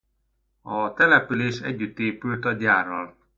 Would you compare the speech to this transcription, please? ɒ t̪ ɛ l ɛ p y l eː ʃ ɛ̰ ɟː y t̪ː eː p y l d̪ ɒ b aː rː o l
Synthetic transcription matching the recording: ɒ t̪ ɛ l ɛ p y l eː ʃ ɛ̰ ɟː y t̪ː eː p y l t̪ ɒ ɟ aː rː ɒ l